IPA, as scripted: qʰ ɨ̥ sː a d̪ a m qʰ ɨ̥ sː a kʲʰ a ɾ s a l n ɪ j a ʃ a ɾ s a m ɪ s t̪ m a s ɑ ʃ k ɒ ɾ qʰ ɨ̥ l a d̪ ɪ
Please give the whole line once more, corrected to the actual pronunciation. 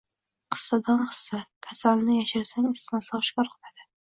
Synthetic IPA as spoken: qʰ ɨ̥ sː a d̪ a n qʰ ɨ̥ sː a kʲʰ a s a l n ɪ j a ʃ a ɾ s a ŋ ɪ s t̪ m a s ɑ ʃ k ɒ ɾ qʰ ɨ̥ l a d̪ ɪ